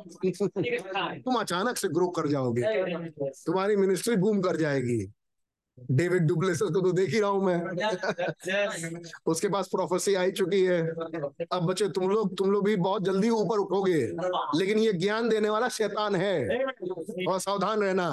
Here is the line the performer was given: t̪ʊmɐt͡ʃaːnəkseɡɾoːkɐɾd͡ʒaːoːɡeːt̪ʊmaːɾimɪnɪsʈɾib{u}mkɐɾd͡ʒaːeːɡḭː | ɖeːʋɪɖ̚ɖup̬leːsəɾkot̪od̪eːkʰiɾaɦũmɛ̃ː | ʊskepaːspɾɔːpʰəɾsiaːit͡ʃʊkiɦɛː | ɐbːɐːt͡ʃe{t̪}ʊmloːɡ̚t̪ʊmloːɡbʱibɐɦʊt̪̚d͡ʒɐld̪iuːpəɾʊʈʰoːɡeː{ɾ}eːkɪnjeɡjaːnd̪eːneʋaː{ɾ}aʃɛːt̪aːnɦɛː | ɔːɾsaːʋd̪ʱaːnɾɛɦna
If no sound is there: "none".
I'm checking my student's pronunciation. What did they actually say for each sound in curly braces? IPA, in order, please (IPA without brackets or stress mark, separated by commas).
uː, t̪, l, l